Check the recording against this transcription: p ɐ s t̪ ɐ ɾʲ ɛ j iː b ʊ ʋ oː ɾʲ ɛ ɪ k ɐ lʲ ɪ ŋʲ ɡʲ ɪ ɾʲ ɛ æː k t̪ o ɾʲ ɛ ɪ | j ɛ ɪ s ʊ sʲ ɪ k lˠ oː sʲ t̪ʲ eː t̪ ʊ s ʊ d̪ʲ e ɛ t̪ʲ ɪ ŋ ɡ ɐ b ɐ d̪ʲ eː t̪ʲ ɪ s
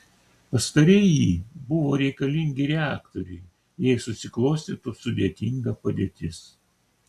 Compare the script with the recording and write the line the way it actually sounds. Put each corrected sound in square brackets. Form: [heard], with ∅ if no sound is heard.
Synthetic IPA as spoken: p ɐ s t̪ ɐ ɾʲ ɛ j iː b ʊ ʋ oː ɾʲ ɛ ɪ k ɐ lʲ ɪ ŋʲ ɡʲ ɪ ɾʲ ɛ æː k t̪ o ɾʲ ɛ ɪ | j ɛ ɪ s ʊ sʲ ɪ k lˠ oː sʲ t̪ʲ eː t̪ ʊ s ʊ d̪ʲ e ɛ t̪ʲ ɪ ŋ ɡ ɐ [p] ɐ d̪ʲ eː t̪ʲ ɪ s